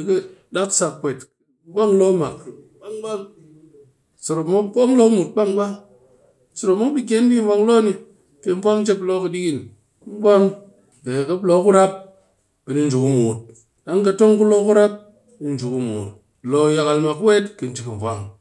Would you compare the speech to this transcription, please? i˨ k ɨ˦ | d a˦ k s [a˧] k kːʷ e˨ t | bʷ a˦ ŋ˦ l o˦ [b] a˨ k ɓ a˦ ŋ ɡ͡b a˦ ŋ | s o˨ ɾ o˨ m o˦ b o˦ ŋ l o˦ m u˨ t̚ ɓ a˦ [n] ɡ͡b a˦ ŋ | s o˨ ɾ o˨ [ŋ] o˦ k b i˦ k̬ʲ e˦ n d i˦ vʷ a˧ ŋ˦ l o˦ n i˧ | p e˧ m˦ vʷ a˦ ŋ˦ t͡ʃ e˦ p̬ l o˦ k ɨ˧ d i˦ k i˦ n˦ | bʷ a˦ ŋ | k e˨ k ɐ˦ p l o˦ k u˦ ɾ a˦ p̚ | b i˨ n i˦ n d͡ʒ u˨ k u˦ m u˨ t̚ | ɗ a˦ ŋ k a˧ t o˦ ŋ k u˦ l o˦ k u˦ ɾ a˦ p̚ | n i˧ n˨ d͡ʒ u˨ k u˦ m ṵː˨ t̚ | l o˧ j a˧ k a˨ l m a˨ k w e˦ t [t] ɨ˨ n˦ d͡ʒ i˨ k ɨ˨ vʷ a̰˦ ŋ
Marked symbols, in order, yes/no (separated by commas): yes, no, no, no, no